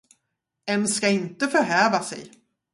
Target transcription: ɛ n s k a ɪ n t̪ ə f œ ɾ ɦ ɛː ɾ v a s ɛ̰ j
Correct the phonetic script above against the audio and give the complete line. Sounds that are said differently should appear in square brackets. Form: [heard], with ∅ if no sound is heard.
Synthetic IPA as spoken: ɛ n s k a ɪ n t̪ ə f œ ɾ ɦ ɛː [∅] v a s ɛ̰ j